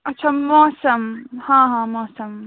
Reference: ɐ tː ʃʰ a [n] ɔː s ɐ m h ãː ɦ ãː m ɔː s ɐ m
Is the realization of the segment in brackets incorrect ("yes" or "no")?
yes